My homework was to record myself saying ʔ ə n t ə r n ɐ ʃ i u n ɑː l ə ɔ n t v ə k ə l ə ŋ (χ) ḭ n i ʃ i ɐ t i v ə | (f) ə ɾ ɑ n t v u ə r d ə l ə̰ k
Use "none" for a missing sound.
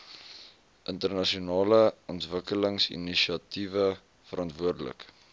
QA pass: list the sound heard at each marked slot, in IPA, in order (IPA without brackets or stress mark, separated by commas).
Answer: s, f